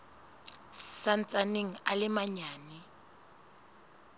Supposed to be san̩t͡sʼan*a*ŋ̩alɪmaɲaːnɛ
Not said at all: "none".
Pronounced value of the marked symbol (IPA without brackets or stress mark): e